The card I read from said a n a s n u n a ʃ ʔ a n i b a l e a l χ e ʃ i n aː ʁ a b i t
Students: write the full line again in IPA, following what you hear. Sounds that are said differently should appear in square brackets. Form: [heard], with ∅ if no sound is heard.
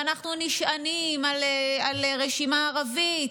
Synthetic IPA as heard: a n a [χ] n u n [i] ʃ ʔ a n i [m] a l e a l [ʁ] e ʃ i [m] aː ʁ a [v] i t